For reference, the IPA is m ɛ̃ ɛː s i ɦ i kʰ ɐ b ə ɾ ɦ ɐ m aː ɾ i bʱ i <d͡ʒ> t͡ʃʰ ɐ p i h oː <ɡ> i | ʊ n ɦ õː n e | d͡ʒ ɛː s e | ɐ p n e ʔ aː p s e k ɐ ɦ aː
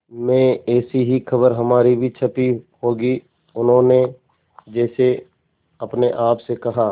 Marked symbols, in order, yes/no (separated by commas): no, yes